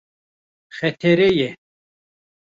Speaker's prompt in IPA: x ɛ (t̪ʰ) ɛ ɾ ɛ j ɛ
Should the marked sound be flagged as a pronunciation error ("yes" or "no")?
no